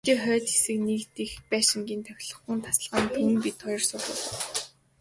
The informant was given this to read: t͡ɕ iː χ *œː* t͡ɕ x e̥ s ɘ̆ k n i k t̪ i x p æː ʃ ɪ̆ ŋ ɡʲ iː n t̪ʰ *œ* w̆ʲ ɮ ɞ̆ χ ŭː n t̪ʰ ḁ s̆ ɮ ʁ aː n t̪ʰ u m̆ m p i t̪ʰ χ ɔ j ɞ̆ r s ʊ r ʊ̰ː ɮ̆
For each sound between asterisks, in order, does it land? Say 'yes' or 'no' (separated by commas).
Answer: yes, yes